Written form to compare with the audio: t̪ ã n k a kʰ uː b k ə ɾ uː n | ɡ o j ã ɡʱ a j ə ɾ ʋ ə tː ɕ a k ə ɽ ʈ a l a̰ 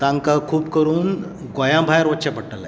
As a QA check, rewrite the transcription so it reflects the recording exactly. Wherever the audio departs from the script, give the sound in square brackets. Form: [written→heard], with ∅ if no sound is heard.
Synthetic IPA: t̪ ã [n→ŋ] k a kʰ uː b k ə ɾ uː n | ɡ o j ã [ɡʱ→bʱ] a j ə ɾ ʋ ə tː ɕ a [k→p] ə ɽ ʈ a l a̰